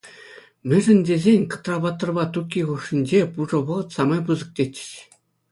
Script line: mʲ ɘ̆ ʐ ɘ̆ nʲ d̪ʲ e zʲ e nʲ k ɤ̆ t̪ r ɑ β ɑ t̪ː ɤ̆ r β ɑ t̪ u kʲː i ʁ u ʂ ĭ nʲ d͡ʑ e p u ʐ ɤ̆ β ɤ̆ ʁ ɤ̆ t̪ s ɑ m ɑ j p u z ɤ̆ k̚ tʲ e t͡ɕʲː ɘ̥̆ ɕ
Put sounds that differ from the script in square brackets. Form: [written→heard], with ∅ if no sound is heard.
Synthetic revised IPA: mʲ ɘ̆ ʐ ɘ̆ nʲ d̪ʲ e zʲ e nʲ k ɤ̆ t̪ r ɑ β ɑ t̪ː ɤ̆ r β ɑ t̪ u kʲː i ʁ u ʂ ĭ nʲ d͡ʑ e p u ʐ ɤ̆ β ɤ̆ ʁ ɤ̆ t̪ s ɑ m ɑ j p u z ɤ̆ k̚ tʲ e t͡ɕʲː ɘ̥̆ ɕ